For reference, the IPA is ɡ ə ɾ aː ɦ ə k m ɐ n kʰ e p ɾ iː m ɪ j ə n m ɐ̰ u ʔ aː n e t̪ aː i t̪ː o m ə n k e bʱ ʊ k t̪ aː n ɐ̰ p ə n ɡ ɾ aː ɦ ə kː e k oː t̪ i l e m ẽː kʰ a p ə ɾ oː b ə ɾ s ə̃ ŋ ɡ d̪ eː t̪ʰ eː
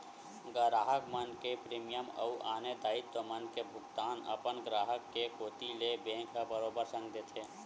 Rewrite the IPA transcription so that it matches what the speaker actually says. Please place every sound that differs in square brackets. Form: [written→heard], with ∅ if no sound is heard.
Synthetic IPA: ɡ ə ɾ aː ɦ ə k m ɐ n [kʰ→k] e p ɾ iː m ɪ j ə [n→∅] m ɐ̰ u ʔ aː n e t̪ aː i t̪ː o m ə n k e bʱ ʊ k t̪ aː n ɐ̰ p ə n ɡ ɾ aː ɦ ə kː e k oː t̪ i l e [m→b] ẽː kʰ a [p→b] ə ɾ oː b ə ɾ s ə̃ ŋ ɡ d̪ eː t̪ʰ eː